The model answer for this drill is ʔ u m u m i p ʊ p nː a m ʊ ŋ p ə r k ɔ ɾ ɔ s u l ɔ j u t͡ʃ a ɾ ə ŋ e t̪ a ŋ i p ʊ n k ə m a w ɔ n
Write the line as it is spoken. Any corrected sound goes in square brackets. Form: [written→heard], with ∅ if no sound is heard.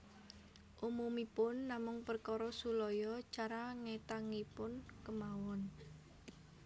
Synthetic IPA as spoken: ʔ u m u m i p ʊ [p→∅] nː a m ʊ ŋ p ə r k ɔ ɾ ɔ s u l ɔ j [u→ɔ] t͡ʃ a ɾ [ə→a] ŋ e t̪ a ŋ i p ʊ n k ə m a w ɔ n